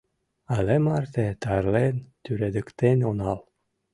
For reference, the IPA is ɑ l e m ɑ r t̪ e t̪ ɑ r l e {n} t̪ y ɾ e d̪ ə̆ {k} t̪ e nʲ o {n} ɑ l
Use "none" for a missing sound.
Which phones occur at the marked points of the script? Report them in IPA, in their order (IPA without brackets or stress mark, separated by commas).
n, k, n